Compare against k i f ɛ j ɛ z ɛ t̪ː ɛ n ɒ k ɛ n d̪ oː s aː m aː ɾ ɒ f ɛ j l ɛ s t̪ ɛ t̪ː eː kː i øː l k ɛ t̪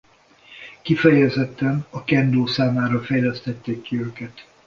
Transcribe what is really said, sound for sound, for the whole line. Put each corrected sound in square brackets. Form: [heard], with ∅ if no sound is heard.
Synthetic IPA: k i f ɛ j ɛ z ɛ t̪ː ɛ n ɒ k ɛ n d̪ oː s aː m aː ɾ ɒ f ɛ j l ɛ s t̪ ɛ t̪ː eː kː i øː [∅] k ɛ t̪